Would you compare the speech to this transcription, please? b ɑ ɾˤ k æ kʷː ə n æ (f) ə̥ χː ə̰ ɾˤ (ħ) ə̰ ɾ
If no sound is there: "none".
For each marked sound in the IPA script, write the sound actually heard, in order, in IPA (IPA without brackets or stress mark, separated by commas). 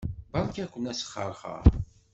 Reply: s, χ